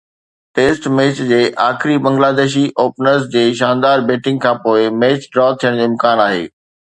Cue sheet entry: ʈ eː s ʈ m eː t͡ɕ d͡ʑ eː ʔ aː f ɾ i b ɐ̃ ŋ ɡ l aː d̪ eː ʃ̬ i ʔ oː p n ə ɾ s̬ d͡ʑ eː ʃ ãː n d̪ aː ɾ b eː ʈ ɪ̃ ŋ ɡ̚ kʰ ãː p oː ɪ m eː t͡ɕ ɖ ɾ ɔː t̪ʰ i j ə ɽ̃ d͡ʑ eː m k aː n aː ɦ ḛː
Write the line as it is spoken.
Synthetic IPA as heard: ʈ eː s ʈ m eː t͡ɕ d͡ʑ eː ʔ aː x ɾ i b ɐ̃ ŋ ɡ l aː d̪ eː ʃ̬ i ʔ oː p n ə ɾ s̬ d͡ʑ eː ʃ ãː n d̪ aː ɾ b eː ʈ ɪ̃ ŋ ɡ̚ kʰ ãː p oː ɪ m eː t͡ɕ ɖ ɾ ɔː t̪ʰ i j ə ɽ̃ d͡ʑ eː m k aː n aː ɦ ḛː